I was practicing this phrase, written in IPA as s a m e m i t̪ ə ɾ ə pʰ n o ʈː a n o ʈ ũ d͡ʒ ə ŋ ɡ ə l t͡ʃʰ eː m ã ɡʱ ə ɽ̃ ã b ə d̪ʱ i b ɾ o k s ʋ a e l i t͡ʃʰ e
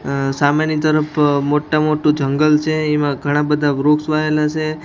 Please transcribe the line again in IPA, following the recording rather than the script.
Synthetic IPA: s a m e n i t̪ ə ɾ ə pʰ m o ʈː a m o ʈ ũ d͡ʒ ə ŋ ɡ ə l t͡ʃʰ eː m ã ɡʱ ə ɽ̃ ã b ə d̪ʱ a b ɾ o k s ʋ a e l a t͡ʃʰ e